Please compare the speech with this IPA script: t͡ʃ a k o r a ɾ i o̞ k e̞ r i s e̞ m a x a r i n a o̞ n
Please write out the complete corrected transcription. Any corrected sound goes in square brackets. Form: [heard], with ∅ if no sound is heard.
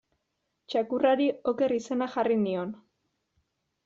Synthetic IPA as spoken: t͡ʃ a k [u] r a ɾ i o̞ k e̞ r i s e̞ [n] a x a r i n [i] o̞ n